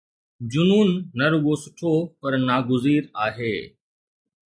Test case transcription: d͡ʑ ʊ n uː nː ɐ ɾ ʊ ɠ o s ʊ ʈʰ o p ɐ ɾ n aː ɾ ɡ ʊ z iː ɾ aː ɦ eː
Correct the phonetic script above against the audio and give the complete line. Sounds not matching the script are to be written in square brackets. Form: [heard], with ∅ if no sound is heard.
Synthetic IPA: d͡ʑ ʊ n uː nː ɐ ɾ ʊ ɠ o s ʊ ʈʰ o p ɐ ɾ n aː [∅] ɡ ʊ z iː ɾ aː ɦ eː